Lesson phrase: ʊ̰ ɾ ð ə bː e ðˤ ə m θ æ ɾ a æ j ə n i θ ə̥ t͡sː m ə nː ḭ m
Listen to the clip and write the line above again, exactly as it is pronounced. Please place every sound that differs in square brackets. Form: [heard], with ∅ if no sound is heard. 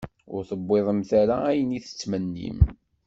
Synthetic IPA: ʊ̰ ɾ [θ] ə bː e ðˤ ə m θ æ ɾ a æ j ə n i θ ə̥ t͡sː m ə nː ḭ m